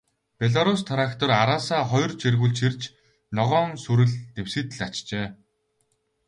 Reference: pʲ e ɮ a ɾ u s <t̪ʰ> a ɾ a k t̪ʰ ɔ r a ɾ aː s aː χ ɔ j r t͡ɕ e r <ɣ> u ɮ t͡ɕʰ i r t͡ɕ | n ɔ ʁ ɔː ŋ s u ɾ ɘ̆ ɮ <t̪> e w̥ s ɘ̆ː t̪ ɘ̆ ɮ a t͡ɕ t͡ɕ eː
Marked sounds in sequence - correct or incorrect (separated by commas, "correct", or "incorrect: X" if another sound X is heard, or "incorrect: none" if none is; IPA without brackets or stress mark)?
correct, correct, correct